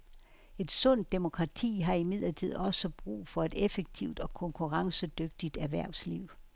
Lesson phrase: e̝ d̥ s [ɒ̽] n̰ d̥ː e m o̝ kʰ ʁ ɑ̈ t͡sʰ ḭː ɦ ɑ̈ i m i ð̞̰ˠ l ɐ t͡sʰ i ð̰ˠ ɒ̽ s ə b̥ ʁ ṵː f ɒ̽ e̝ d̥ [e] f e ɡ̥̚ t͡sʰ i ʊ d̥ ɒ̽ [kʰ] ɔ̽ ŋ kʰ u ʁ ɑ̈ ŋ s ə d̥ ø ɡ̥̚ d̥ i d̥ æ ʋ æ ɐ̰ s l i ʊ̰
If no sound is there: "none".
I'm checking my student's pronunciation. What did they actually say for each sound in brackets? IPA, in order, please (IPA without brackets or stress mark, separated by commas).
ɔ̽, e, kʰ